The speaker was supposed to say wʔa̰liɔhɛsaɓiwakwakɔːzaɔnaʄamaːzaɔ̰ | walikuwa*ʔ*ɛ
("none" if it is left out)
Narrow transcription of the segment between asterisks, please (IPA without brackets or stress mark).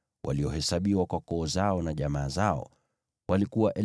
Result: ʔ